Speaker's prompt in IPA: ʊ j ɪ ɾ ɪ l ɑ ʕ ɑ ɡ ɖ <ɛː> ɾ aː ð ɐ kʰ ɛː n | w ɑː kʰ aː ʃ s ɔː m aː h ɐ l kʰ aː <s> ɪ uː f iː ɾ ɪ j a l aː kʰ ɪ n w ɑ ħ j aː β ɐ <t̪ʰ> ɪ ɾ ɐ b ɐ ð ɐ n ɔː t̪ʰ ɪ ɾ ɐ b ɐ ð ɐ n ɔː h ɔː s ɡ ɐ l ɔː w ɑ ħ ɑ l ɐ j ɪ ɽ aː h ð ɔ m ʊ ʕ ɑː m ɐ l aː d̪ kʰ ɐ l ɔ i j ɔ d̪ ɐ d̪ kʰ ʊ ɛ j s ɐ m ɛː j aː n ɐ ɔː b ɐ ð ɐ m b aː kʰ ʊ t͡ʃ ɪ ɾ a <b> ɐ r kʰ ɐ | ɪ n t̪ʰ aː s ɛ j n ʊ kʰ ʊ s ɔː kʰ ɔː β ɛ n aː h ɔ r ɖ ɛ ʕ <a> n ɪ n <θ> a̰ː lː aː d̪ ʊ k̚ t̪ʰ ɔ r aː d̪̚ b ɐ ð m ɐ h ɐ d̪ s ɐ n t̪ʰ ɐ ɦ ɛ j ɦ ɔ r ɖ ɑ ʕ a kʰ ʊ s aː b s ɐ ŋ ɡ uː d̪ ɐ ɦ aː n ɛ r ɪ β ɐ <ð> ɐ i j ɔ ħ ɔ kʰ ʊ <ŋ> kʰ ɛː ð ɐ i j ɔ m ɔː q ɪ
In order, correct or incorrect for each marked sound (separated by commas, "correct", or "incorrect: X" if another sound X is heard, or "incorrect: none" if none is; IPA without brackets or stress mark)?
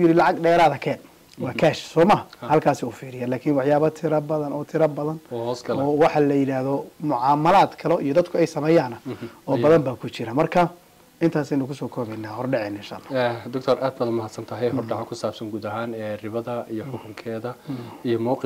correct, correct, correct, incorrect: m, incorrect: ɛ, incorrect: ʃ, correct, correct